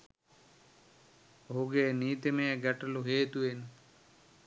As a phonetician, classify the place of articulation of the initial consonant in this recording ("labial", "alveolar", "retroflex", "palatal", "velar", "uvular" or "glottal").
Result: glottal